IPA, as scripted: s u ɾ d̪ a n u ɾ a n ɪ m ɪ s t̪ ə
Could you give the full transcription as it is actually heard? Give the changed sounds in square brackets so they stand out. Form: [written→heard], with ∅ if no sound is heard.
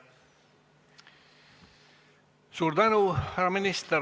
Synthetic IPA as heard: s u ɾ d̪ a n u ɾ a [n→m] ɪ [m→n] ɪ s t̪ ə